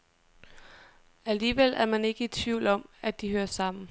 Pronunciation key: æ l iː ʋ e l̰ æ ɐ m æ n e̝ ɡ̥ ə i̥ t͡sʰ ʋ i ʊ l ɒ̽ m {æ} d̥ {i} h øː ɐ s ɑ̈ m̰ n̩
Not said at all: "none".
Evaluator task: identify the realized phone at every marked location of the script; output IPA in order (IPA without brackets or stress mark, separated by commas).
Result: æ, i